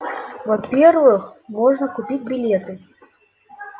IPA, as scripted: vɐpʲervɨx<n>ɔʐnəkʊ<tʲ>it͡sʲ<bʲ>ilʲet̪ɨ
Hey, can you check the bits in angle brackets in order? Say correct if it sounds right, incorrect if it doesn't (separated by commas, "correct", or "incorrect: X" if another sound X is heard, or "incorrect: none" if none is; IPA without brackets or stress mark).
incorrect: m, incorrect: pʲ, correct